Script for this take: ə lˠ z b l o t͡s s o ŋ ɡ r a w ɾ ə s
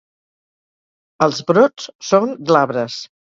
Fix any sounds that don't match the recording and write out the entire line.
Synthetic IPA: ə lˠ z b ɾ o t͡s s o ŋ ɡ l a β ɾ ə s